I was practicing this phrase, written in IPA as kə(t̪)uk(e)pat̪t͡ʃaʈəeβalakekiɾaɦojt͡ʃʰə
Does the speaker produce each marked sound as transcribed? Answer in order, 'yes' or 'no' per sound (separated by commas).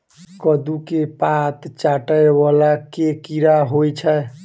no, yes